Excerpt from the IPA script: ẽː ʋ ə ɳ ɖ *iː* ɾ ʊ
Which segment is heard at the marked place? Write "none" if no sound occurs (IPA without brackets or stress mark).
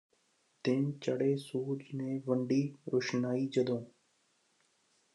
iː